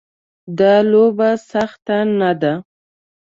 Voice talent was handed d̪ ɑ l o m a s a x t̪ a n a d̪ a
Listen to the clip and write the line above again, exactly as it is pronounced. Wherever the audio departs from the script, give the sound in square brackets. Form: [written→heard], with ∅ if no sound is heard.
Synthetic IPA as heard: d̪ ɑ l o [m→b] a s a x t̪ a n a d̪ a